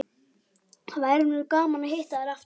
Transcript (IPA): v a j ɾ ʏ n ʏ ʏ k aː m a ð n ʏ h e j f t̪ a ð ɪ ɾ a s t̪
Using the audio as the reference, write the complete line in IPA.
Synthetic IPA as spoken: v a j ɾ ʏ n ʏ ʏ k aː m a n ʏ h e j h t̪ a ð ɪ ɾ a f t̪